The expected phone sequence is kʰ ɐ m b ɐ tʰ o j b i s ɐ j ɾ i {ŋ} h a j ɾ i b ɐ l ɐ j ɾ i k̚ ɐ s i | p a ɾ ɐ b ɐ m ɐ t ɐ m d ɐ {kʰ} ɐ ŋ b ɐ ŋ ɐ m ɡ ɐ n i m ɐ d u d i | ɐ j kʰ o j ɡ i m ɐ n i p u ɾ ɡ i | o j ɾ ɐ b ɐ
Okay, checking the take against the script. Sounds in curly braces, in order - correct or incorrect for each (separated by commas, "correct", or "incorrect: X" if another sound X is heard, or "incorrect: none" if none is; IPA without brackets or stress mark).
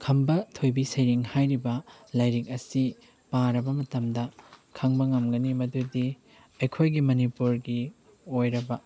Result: correct, correct